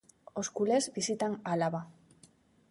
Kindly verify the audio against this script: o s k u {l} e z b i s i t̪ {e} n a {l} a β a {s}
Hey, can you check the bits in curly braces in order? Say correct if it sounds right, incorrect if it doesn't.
correct, incorrect, correct, incorrect

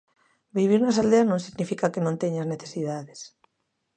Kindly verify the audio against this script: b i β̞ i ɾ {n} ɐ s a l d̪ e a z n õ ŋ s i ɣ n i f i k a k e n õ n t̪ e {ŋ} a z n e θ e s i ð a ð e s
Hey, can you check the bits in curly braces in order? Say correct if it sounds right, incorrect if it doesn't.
correct, incorrect

